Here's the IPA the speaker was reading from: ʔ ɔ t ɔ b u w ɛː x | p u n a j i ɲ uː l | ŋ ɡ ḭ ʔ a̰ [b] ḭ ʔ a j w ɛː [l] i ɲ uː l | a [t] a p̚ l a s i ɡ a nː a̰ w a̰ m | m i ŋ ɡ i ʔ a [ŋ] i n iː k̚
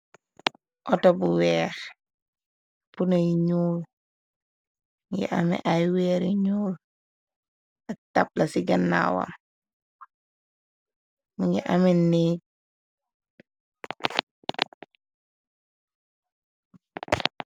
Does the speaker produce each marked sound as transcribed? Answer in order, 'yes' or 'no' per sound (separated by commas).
no, no, yes, no